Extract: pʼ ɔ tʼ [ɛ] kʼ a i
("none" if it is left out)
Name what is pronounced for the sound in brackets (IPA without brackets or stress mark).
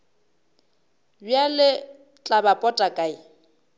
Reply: a